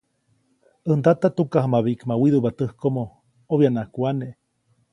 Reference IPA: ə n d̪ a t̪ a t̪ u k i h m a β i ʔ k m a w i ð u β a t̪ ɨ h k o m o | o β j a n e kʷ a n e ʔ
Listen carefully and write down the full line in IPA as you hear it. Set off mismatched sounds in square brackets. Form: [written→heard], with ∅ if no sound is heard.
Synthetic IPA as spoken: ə n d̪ a t̪ a t̪ u k [i→a] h m a β i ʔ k m a w i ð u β a t̪ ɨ h k o m o | o β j a n [e→a] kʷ a n e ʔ